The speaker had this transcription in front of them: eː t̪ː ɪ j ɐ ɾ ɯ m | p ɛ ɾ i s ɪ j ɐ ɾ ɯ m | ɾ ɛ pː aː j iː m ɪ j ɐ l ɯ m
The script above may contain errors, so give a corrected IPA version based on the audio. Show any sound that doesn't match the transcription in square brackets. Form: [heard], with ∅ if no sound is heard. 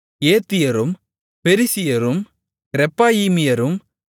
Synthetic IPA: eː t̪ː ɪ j ɐ ɾ ɯ m | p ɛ ɾ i s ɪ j ɐ ɾ ɯ m | ɾ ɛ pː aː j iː m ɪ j ɐ [ɾ] ɯ m

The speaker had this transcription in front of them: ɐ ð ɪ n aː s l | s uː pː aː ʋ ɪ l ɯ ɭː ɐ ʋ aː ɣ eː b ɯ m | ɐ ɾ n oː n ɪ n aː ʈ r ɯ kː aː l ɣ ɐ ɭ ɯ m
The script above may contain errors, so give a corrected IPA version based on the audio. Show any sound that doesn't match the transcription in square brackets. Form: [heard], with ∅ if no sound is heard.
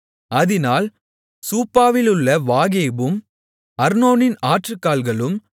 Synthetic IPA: ɐ ð ɪ n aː [∅] l | s uː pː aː ʋ ɪ l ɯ ɭː ɐ ʋ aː ɣ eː b ɯ m | ɐ ɾ n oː n ɪ n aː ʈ r ɯ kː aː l ɣ ɐ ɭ ɯ m

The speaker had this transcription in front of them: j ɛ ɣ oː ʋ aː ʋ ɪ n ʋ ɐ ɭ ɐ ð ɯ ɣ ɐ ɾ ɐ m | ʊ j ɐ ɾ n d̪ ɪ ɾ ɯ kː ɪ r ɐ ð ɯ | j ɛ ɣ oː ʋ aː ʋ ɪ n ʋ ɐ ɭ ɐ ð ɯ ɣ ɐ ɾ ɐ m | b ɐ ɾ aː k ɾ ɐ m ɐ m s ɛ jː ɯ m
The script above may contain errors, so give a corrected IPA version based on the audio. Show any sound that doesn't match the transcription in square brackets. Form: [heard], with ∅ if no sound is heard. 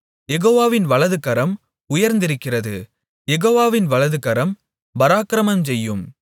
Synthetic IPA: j ɛ ɣ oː ʋ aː ʋ ɪ n ʋ ɐ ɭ ɐ ð ɯ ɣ ɐ ɾ ɐ m | ʊ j ɐ ɾ n d̪ ɪ ɾ ɯ kː ɪ r ɐ ð ɯ | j ɛ ɣ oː ʋ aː ʋ ɪ n ʋ ɐ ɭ ɐ ð ɯ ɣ ɐ ɾ ɐ m | b ɐ ɾ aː k ɾ ɐ m ɐ m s ɛ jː ɯ m

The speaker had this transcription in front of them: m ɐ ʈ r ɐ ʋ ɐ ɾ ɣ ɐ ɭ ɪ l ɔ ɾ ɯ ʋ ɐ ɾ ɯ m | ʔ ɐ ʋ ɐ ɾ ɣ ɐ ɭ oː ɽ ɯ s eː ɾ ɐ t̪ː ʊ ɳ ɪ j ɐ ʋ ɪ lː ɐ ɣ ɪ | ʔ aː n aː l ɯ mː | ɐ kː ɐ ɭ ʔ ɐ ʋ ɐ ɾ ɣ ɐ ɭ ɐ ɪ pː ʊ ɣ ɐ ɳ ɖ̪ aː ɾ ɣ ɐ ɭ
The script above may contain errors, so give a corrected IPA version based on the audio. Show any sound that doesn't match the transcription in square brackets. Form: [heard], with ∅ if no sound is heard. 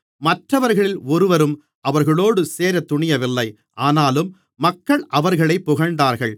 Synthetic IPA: m ɐ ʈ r ɐ ʋ ɐ ɾ ɣ ɐ ɭ ɪ l ɔ ɾ ɯ ʋ ɐ ɾ ɯ m | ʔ ɐ ʋ ɐ ɾ ɣ ɐ ɭ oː ɽ ɯ s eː ɾ ɐ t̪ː ʊ ɳ ɪ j ɐ ʋ ɪ lː ɐ [∅] ɪ | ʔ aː n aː l ɯ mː | ɐ kː ɐ ɭ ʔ ɐ ʋ ɐ ɾ ɣ ɐ ɭ ɐ ɪ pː ʊ ɣ ɐ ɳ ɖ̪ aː ɾ ɣ ɐ ɭ

